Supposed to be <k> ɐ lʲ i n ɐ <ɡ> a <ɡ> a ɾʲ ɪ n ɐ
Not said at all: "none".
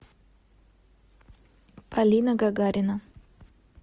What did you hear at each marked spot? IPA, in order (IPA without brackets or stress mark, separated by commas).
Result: p, ɡ, ɡ